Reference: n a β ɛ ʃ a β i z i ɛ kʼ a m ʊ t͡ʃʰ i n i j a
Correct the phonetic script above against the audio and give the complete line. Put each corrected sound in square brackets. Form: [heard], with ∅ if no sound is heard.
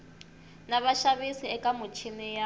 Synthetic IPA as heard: n a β [a] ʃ a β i [s] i ɛ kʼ a m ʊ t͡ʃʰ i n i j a